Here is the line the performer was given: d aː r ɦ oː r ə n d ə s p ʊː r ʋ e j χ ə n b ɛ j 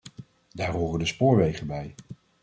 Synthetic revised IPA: d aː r ɦ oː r ə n d ə s p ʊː ɹ ʋ e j χ ə n b ɛ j